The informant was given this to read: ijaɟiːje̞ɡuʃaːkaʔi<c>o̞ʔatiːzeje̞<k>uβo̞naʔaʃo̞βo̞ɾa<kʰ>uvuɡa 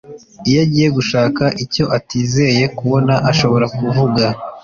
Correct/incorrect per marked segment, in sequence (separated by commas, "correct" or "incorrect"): correct, correct, incorrect